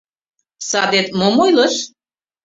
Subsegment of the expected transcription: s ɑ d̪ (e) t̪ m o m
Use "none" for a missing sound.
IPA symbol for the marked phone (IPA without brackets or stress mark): e